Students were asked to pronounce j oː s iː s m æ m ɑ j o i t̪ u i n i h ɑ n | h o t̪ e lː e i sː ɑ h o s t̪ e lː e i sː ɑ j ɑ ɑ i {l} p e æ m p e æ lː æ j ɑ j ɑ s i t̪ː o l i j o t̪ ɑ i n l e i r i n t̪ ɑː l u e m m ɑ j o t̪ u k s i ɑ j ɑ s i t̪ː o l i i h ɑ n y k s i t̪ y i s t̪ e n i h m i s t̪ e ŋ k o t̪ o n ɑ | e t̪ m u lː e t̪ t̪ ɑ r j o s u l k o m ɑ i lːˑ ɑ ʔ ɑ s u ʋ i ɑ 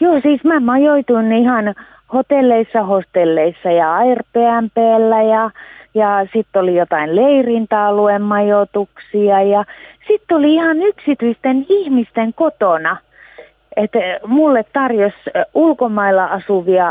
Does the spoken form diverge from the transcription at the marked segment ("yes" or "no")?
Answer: yes